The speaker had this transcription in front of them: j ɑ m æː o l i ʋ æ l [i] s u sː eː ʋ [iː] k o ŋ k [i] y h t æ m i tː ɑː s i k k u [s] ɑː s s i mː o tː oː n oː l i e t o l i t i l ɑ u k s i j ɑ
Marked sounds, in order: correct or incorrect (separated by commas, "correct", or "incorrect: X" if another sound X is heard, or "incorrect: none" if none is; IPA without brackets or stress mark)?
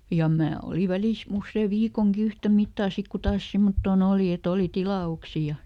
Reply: correct, correct, correct, incorrect: t